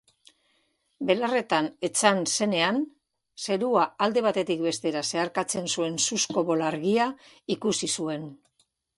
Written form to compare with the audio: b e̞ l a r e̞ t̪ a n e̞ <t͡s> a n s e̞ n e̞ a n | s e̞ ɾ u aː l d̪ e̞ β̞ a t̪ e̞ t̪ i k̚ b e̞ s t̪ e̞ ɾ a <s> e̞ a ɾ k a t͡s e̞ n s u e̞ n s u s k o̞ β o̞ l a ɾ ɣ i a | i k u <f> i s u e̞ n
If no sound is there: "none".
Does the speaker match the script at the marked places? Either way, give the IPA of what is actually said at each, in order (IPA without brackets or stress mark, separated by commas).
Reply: t͡s, s, s